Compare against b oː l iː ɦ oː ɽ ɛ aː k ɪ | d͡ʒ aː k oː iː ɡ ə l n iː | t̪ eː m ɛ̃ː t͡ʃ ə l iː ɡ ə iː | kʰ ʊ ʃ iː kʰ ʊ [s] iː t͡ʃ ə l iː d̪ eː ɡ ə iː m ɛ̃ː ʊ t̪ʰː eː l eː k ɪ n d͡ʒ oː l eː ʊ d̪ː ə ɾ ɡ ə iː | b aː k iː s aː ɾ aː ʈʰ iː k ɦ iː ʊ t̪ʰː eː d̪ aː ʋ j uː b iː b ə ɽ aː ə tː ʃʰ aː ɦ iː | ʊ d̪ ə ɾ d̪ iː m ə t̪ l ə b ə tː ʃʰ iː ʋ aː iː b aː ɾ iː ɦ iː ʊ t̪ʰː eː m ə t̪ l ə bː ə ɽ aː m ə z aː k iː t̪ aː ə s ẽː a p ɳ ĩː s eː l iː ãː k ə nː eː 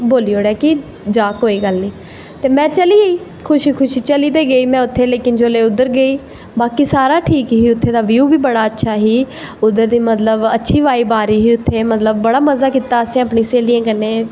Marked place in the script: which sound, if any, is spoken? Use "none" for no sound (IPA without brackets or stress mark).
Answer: ʃ